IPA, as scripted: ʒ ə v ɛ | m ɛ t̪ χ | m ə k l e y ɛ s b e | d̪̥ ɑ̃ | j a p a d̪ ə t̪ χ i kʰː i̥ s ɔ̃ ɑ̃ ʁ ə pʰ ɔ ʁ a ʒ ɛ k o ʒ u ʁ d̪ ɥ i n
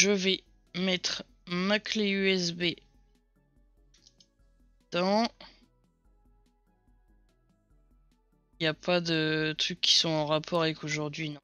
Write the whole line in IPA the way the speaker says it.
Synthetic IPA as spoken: ʒ ə v ɛ | m ɛ t̪ χ | m a k l e y ɛ s b e | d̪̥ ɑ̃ | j a p a d̪ ə t̪ χ y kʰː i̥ s ɔ̃ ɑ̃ ʁ a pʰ ɔ ʁ a v ɛ k o ʒ u ʁ d̪ ɥ i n

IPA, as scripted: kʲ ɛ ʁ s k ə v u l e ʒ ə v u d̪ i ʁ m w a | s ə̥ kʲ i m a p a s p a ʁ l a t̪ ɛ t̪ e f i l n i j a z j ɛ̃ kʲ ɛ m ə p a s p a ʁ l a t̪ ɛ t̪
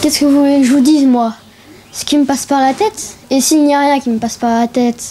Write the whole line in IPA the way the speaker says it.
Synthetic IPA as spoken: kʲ ɛ s k ə v u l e ʒ ə v u d̪ i z m w a | s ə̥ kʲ i m ə p a s p a ʁ l a t̪ ɛ t̪ e s i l n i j a ʁ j ɛ̃ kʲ i m ə p a s p a ʁ l a t̪ ɛ t̪

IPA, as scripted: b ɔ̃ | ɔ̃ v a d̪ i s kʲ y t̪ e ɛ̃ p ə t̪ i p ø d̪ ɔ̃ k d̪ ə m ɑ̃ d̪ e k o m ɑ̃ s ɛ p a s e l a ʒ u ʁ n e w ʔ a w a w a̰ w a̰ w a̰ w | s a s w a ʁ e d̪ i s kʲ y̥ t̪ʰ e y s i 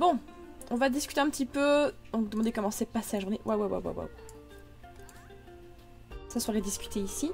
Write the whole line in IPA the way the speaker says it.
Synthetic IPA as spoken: b ɔ̃ | ɔ̃ v a d̪ i s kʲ y t̪ e ɛ̃ p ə t̪ i p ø d̪ ɔ̃ k d̪ ə m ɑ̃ d̪ e k ɔ m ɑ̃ s ɛ p a s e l a ʒ u ʁ n e w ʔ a w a w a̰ w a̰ w a̰ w | s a s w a ʁ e d̪ i s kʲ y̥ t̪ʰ e i s i

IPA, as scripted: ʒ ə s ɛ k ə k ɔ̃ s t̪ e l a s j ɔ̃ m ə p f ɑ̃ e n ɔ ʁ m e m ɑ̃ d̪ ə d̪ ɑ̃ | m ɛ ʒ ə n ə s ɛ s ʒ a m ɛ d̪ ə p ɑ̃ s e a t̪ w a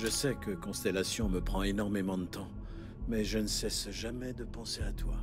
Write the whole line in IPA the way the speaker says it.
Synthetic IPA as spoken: ʒ ə s ɛ k ə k ɔ̃ s t̪ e l a s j ɔ̃ m ə p χ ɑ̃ e n ɔ ʁ m e m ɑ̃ d̪ ə t̪ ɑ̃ | m ɛ ʒ ə n ə s ɛ s ʒ a m ɛ d̪ ə p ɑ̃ s e a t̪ w a

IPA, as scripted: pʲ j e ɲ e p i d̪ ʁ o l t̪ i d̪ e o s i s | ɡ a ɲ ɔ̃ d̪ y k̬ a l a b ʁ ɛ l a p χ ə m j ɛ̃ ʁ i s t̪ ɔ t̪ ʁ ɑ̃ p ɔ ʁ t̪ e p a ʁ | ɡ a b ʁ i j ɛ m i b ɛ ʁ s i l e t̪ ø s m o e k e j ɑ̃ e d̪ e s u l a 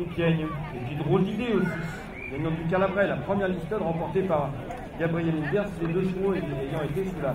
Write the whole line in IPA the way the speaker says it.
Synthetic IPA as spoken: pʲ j ɛ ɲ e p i d̪ ʁ o l d̪ i d̪ e o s i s | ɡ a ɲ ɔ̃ d̪ y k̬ a l a b ʁ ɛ l a p χ ə m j ɛ ʁ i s t̪ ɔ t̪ ʁ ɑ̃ p ɔ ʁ t̪ e p a ʁ | ɡ a b ʁ i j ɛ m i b ɛ ʁ s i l e d̪ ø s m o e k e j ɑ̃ e t̪ e s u l a

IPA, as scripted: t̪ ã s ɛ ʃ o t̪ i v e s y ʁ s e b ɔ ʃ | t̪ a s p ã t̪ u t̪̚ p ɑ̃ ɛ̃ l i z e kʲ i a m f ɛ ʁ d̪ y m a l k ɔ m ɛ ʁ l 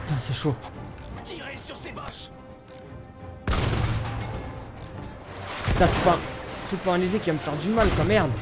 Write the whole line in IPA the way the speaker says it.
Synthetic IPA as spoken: t̪ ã s ɛ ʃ o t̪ i ʁ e s y ʁ s e b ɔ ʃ | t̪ a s p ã t̪ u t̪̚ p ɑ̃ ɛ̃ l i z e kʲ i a m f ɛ ʁ d̪ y m a l k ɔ m ɛ ʁ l

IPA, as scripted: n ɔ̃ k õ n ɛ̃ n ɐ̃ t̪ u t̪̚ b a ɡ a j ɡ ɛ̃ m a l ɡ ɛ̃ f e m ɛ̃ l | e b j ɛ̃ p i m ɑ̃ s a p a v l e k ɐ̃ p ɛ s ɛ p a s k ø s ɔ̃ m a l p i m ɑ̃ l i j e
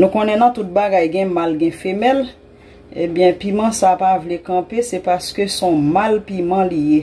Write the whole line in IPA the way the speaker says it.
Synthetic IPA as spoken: n ũ k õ n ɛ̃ n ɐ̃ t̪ u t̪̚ b a ɡ a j ɡ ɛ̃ m a l ɡ ɛ̃ f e m ɛ l | e b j ɛ̃ p i m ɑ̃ s a p a v l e k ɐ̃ p e s ɛ p a s k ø s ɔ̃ m a l p i m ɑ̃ l i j e

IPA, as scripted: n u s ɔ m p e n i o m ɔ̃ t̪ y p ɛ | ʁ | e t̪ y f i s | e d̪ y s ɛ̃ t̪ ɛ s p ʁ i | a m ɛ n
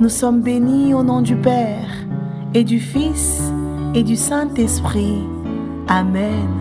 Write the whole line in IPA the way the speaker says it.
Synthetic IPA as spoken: n u s ɔ m b e n i o n ɔ̃ d̪ y p ɛ | ʁ | e d̪ y f i s | e d̪ y s ɛ̃ t̪ ɛ s p χ i | a m ɛ n

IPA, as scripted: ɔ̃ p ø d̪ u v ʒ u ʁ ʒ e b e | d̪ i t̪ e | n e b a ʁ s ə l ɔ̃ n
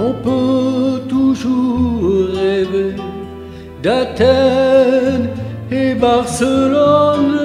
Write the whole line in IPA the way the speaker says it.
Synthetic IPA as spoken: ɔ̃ p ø t̪ u ʒ u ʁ ʁ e v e | d̪ a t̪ ɛ | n e b a ʁ s ə l ɔ n

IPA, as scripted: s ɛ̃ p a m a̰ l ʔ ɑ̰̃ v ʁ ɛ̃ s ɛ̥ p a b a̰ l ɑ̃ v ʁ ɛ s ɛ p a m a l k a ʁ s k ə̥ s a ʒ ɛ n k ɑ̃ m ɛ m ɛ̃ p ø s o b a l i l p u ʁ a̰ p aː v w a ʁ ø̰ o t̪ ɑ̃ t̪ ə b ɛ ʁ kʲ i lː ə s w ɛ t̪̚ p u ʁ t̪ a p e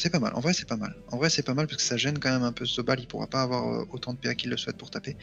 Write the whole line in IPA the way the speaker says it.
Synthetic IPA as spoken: s ɛ p a m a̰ l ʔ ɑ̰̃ v ʁ ɛ s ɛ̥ p a m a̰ l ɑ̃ v ʁ ɛ s ɛ p a m a l p a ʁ s k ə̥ s a ʒ ɛ n k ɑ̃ m ɛ m ɛ̃ p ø s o b a l i l p u ʁ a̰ p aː v w a ʁ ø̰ o t̪ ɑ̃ d̪ ə p ɛ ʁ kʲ i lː ə s w ɛ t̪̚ p u ʁ t̪ a p e

